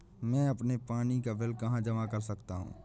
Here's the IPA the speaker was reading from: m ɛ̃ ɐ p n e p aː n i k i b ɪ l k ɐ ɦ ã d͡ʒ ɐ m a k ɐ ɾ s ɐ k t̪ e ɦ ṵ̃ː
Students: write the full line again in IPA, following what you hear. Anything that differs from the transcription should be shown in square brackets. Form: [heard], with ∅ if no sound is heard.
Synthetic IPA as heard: m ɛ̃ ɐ p n e p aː n i k [a] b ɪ l k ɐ ɦ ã d͡ʒ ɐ m a k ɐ ɾ s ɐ k t̪ [a] ɦ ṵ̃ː